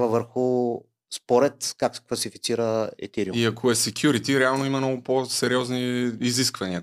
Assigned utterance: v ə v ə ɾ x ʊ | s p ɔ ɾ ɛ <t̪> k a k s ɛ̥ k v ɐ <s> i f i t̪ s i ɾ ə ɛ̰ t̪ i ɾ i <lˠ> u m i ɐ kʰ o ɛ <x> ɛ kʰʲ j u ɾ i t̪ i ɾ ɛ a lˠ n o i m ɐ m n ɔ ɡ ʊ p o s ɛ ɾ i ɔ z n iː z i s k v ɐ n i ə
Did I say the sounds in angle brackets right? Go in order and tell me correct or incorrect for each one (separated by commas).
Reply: correct, correct, incorrect, incorrect